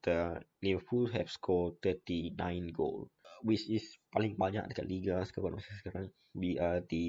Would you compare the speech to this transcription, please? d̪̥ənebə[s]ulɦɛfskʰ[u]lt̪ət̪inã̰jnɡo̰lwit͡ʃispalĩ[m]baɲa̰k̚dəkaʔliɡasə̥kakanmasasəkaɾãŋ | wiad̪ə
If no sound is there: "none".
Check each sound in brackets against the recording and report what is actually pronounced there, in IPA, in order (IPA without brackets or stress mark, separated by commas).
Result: f, ɔ, ŋ